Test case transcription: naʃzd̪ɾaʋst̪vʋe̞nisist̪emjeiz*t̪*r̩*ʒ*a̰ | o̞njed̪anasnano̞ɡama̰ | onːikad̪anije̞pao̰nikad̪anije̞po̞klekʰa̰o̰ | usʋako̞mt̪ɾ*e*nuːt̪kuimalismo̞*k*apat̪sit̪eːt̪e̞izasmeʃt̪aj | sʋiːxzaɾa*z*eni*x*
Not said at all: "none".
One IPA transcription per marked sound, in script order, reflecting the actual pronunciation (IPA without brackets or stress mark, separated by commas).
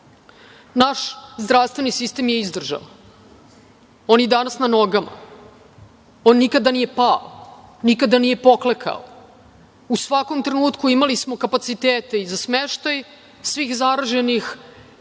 d̪, ʒ, e, k, ʒ, x